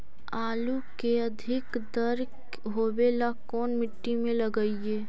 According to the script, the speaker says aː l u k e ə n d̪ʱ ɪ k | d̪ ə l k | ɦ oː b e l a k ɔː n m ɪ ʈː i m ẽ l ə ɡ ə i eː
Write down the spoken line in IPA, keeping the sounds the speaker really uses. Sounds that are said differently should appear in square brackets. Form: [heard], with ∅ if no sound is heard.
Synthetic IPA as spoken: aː l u k e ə [∅] d̪ʱ ɪ k | d̪ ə [ɾ] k | ɦ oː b e l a k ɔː n m ɪ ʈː i m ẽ l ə ɡ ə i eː